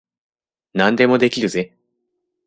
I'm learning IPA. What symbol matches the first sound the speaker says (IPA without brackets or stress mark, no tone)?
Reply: n